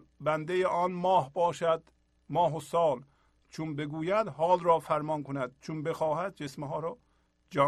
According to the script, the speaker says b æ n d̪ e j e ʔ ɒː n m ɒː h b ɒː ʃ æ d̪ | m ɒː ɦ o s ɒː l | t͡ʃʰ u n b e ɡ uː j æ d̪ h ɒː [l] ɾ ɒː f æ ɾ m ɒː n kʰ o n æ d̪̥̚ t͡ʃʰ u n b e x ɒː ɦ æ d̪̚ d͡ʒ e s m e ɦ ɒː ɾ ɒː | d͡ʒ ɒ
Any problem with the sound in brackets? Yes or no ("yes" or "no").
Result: no